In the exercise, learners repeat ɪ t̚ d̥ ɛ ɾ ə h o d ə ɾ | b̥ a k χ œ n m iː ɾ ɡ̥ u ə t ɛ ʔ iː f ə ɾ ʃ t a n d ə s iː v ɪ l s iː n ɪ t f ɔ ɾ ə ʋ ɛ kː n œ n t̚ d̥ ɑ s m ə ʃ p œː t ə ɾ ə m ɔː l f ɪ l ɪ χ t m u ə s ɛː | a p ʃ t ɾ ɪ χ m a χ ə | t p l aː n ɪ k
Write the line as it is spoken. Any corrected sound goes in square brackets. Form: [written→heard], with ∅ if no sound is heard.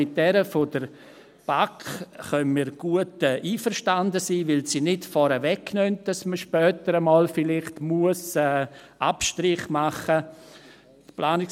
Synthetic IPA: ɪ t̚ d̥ ɛ ɾ ə [h→f] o d ə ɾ | b̥ a k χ œ n m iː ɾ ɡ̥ u ə t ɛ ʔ iː f ə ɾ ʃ t a n d ə s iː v ɪ l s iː n ɪ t f ɔ ɾ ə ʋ ɛ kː n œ n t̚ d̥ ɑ s m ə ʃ p œː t ə ɾ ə m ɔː l f ɪ l ɪ χ t m u ə s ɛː | a p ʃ t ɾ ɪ χ m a χ ə | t p l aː n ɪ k